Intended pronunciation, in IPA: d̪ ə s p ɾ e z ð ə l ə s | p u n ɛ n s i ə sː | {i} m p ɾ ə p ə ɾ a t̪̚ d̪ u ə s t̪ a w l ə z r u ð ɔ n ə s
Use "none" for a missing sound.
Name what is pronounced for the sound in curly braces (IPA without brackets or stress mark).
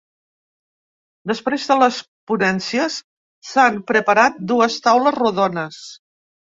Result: a